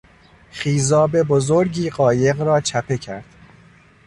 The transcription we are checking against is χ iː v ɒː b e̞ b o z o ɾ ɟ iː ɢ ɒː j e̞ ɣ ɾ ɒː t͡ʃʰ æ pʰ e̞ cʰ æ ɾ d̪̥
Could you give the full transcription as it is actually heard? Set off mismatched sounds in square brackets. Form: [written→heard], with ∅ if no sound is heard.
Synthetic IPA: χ iː [v→z] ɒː b e̞ b o z o ɾ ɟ iː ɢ ɒː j e̞ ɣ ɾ ɒː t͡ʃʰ æ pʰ e̞ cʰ æ ɾ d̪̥